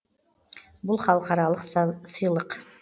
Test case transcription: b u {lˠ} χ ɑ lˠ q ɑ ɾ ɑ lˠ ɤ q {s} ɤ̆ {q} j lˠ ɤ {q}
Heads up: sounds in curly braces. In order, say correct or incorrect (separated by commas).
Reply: correct, correct, incorrect, correct